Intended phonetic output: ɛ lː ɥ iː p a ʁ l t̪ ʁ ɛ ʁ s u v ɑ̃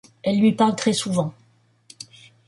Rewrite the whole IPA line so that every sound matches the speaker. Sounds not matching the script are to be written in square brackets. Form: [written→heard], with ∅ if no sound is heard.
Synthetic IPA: ɛ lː ɥ [iː→i] p a ʁ l t̪ [ʁ→χ] ɛ [ʁ→∅] s u v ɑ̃